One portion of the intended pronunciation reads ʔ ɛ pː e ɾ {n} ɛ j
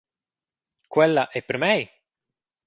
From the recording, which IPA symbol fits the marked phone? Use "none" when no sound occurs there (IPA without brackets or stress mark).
m